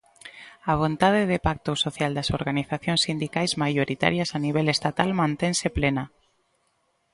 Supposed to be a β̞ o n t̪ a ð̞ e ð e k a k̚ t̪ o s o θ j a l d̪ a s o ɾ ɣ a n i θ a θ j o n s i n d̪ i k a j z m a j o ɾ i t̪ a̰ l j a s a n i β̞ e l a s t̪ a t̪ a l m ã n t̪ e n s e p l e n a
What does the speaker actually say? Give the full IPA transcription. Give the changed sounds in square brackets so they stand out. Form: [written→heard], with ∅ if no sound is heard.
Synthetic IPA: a β̞ o n t̪ a ð̞ e ð e [k→p] a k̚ t̪ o s o θ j a l d̪ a s o ɾ ɣ a n i θ a θ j o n s i n d̪ i k a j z m a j o ɾ i t̪ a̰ [l→ɾ] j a s a n i β̞ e l [a→e] s t̪ a t̪ a l m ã n t̪ e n s e p l e n a